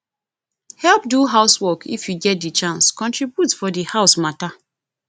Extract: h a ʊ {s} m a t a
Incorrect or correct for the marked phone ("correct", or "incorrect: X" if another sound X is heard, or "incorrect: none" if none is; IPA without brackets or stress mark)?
correct